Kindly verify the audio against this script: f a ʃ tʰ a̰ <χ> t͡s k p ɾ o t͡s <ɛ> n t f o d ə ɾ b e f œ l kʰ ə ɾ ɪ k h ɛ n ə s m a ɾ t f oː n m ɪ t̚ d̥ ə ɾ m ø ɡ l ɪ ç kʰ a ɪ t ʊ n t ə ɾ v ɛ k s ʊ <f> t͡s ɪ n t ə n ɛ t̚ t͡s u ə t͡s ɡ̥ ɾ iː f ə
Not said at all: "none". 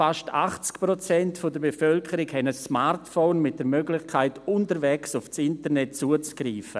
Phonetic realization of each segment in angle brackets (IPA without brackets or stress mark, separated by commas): χ, ɛ, f